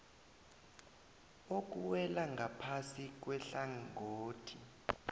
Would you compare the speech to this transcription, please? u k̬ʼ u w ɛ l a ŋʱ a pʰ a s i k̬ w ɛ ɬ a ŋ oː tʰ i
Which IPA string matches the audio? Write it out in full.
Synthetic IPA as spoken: o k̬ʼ u w ɛ l a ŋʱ a pʰ a s i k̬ w ɛ ɬ a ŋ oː tʰ i